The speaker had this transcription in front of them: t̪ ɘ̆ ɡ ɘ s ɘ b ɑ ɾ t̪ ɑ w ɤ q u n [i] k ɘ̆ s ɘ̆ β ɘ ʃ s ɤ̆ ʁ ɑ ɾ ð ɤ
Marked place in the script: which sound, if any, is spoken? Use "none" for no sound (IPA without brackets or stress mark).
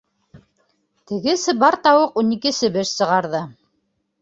i